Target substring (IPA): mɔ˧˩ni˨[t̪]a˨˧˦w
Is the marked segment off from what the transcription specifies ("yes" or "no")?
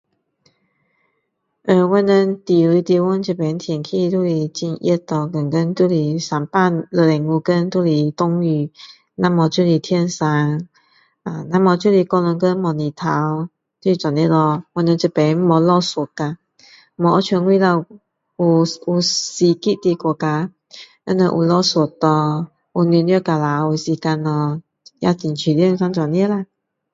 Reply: yes